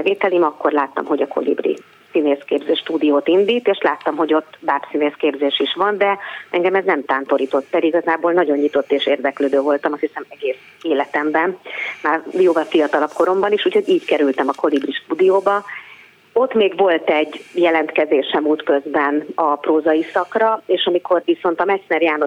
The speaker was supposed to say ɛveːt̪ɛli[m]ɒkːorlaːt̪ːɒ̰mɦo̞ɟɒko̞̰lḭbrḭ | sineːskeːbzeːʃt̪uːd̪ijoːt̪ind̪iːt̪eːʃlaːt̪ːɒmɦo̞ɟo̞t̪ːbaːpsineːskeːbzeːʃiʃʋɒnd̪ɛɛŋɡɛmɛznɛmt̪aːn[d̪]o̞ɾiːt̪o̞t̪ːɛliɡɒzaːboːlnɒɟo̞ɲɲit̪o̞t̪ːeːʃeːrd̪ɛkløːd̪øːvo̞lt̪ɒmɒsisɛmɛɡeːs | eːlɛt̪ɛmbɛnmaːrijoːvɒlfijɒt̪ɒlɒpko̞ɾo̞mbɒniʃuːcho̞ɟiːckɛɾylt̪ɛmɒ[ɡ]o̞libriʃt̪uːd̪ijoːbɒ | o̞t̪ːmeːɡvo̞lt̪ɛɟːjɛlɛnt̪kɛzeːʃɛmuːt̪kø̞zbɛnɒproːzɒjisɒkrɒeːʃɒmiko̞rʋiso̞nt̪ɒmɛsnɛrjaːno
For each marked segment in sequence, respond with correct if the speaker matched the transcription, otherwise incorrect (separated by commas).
correct, incorrect, incorrect